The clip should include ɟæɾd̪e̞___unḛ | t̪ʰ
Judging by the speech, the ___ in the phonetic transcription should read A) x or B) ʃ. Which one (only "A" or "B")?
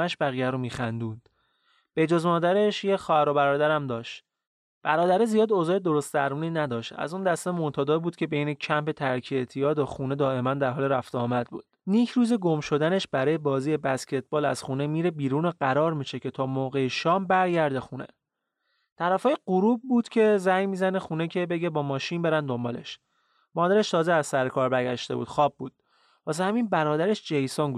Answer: A